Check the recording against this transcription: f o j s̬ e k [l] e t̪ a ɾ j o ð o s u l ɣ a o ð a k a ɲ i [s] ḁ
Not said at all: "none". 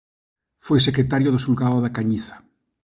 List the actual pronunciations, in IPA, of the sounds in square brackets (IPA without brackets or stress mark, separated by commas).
ɾ, θ